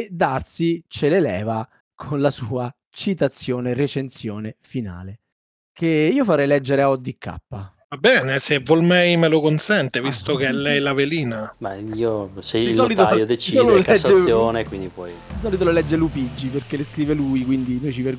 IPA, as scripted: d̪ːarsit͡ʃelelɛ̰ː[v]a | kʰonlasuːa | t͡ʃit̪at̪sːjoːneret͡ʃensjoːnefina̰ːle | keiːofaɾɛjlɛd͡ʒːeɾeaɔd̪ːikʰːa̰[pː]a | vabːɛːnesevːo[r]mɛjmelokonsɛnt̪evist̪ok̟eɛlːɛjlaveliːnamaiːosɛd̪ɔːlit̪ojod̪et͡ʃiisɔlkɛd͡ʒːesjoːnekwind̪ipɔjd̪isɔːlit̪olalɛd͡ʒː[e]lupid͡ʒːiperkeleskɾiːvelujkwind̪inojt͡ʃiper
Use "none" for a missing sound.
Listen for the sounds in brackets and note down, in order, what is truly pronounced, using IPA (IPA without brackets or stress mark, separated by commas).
v, pː, l, e